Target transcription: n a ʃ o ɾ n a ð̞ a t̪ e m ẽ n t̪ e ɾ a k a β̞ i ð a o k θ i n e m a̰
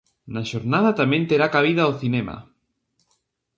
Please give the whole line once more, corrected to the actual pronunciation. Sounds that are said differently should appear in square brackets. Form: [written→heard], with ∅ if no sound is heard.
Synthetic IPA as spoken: n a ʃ o ɾ n a ð̞ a t̪ [e→a] m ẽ n t̪ e ɾ a k a β̞ i ð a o [k→∅] θ i n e m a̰